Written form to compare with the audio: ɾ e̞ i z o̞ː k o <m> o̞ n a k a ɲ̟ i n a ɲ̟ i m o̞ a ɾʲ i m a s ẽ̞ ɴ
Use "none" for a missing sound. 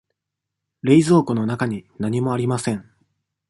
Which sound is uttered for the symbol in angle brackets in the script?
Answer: n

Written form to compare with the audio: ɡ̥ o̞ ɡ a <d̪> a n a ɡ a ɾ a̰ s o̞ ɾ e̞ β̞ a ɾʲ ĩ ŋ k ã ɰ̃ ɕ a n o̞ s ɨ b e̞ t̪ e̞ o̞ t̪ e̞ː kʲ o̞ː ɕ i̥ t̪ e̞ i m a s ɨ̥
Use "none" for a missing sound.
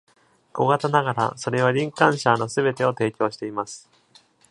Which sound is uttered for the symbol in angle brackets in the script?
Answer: t̪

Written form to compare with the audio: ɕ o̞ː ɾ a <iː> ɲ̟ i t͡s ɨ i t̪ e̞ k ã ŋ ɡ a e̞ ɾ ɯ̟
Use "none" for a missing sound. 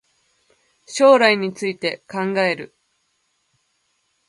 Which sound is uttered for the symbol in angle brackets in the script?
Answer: i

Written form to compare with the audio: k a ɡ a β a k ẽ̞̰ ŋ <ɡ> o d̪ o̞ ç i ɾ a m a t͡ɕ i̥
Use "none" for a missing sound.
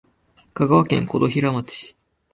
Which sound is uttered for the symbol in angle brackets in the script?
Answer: k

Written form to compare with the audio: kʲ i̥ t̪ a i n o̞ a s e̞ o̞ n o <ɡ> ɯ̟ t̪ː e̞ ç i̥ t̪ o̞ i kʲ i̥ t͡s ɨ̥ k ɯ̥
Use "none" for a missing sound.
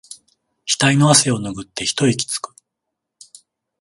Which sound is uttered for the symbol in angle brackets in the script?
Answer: ɡ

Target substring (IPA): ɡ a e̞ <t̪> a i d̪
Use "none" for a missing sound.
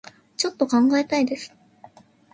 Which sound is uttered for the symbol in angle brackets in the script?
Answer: t̪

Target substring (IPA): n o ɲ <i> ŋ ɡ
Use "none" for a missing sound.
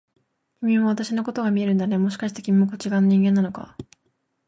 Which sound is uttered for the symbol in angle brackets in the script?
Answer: ĩ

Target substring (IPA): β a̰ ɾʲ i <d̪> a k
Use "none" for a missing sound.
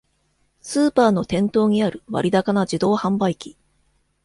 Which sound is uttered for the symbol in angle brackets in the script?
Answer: d̪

